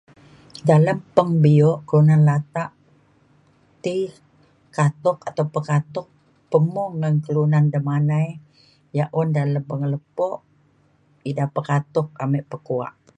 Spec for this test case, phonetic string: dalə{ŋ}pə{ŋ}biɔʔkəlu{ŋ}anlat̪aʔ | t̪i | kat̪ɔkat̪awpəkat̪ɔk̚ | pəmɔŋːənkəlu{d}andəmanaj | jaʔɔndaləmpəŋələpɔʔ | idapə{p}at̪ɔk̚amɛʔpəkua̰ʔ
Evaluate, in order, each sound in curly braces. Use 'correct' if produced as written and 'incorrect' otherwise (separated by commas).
incorrect, correct, incorrect, incorrect, incorrect